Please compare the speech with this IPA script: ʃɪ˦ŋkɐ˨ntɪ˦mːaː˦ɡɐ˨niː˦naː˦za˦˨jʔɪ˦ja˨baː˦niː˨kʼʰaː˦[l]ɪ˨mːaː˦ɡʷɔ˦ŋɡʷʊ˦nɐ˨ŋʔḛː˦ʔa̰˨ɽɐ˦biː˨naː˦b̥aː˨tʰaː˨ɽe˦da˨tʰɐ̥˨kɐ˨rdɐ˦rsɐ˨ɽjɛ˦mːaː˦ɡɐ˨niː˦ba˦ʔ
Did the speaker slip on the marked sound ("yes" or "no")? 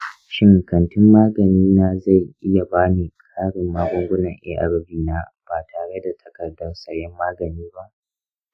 yes